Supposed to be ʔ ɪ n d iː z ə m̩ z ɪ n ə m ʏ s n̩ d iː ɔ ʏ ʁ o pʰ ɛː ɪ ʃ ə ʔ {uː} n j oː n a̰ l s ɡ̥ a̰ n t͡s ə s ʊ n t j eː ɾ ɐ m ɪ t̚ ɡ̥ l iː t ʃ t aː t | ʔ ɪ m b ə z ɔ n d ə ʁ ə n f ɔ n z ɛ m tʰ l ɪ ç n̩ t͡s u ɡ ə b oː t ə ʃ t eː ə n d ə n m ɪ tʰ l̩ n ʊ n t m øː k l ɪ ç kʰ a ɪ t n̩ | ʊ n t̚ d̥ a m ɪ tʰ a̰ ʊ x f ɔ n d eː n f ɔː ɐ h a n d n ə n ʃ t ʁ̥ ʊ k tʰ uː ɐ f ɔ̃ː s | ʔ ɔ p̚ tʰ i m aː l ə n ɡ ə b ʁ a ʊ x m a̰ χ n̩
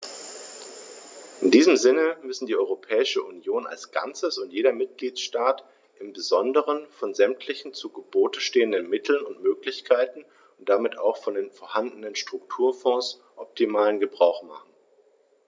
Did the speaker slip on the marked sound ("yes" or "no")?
yes